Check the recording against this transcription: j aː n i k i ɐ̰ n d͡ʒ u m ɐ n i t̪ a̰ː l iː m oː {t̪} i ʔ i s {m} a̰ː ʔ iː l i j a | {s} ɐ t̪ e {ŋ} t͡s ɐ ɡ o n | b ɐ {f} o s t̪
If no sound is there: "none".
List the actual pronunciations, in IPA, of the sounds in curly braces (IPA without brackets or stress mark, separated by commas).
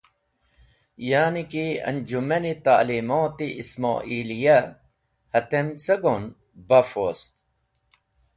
t̪, m, h, m, f